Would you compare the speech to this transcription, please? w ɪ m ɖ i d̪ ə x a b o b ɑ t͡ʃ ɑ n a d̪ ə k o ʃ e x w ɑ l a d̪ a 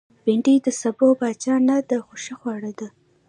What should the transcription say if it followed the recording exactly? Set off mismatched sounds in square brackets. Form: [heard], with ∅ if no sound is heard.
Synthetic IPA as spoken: [b] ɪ [ɳ] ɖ i d̪ ə [s] a b o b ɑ t͡ʃ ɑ n a d̪ ə [x] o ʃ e x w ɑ [ɽ] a d̪ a